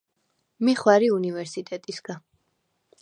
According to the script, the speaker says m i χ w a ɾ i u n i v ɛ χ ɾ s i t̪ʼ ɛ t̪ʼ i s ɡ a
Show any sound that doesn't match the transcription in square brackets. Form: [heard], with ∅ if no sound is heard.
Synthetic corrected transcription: m i χ w a ɾ i u n i v ɛ [∅] ɾ s i t̪ʼ ɛ t̪ʼ i s ɡ a

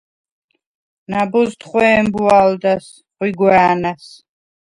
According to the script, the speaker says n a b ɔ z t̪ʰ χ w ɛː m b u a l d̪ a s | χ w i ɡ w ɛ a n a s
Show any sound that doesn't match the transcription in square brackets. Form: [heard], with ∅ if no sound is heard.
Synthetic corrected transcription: n a b ɔ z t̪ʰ χ w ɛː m b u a l d̪ a s | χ w i ɡ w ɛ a n a s

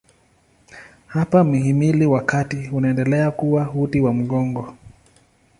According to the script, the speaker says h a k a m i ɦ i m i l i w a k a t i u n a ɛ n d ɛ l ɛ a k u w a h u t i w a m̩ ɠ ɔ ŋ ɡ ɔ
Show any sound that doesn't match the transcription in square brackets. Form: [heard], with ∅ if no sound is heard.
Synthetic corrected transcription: h a [p] a m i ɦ i m i l i w a k a t i u n a ɛ n d ɛ l ɛ a k u w a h u t i w a m̩ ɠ ɔ ŋ ɡ ɔ

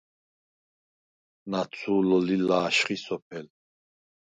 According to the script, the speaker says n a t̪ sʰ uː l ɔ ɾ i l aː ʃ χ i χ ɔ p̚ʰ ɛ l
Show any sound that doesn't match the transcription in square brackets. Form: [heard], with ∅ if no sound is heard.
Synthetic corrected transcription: n a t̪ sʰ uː l ɔ [l] i l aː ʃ χ i [s] ɔ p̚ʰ ɛ l

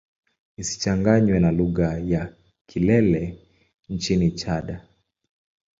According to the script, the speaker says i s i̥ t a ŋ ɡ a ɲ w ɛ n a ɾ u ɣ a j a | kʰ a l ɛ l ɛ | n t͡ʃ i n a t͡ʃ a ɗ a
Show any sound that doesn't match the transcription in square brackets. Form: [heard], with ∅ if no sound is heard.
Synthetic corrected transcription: i s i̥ [t͡ʃ] a ŋ ɡ a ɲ w ɛ n a [l] u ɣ a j a | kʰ [i] l ɛ l ɛ | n t͡ʃ i n [i] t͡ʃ a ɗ a

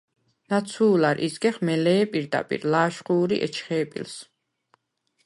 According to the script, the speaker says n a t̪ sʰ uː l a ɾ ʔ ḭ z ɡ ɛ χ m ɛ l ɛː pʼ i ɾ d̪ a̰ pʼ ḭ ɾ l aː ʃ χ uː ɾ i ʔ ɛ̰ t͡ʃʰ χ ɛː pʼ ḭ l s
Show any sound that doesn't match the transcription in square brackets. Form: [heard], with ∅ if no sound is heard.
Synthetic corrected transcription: n a t̪ sʰ uː l a ɾ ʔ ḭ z ɡ ɛ χ m ɛ l ɛː pʼ i ɾ d̪ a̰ pʼ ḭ ɾ l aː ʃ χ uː ɾ i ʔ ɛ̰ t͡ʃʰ χ ɛː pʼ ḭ l s

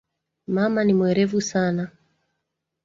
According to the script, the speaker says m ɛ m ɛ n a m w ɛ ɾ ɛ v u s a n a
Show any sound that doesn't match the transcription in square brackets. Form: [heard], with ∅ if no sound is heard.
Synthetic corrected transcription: m [a] m [a] n [i] m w ɛ ɾ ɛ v u s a n a

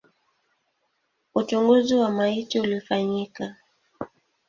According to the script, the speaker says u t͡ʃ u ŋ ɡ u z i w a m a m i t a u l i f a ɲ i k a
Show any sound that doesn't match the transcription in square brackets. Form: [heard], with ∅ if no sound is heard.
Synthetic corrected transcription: u t͡ʃ u ŋ ɡ u z i w a m a [∅] i t [i] u l i f a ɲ i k a

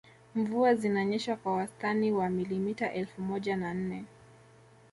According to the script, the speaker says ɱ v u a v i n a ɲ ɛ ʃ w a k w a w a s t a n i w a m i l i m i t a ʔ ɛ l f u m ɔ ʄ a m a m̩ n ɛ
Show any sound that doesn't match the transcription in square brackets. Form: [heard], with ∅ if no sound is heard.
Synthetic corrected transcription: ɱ v u a [z] i n a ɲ ɛ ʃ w a k w a w a s t a n i w a m i l i m i t a ʔ ɛ l f u m ɔ ʄ a [n] a [n̩] n ɛ

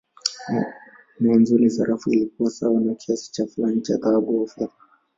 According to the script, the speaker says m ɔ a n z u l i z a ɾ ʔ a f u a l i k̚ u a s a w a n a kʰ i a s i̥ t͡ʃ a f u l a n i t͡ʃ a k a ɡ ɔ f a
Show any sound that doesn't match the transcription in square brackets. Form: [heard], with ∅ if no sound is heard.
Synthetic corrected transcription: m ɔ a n z u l i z a ɾ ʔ a f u [i] l i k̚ u a s a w a n a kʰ i a s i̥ t͡ʃ a f u l a n i t͡ʃ a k a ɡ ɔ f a

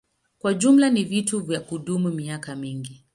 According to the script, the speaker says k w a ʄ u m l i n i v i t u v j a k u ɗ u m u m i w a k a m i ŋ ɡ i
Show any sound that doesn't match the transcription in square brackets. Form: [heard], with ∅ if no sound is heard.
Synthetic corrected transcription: k w a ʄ u m l [a] n i v i t u v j a k u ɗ u m u m i [∅] a k a m i ŋ ɡ i

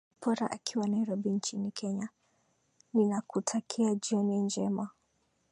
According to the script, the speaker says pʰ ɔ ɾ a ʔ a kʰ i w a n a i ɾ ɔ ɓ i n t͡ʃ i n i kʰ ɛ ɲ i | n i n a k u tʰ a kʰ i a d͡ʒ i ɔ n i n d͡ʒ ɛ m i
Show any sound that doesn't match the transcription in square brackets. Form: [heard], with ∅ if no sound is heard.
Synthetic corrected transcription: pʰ ɔ ɾ a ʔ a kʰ i w a n a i ɾ ɔ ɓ i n t͡ʃ i n i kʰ ɛ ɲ [a] | n i n a k u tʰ a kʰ i a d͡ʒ i ɔ n i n d͡ʒ ɛ m [a]

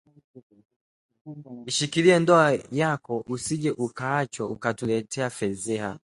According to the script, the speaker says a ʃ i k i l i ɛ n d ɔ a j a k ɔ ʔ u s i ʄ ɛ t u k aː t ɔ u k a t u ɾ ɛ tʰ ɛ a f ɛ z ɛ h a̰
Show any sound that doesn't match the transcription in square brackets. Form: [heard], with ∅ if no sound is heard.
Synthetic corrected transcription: [i] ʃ i k i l i ɛ n d ɔ a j a k ɔ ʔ u s i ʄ ɛ [ʔ] u k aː [t͡ʃ] ɔ u k a t u [l] ɛ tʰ ɛ a f ɛ z ɛ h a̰

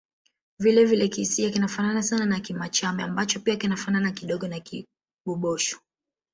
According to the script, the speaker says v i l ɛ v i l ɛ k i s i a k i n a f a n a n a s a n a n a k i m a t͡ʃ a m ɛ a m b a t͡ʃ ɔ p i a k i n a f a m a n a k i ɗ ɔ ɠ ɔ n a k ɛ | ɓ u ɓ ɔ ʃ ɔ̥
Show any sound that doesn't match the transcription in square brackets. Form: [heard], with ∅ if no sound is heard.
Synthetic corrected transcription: v i l ɛ v i l ɛ k i s i a k i n a f a n a n a s a n a n a k i m a t͡ʃ a m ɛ a m b a t͡ʃ ɔ p i a k i n a f a [n] a n a k i ɗ ɔ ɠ ɔ n a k [i] | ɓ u ɓ ɔ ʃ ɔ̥

